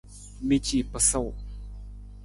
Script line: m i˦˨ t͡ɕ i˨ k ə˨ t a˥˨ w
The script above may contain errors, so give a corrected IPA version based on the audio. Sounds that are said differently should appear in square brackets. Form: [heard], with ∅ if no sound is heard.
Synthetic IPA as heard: m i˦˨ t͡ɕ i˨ [p] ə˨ [s] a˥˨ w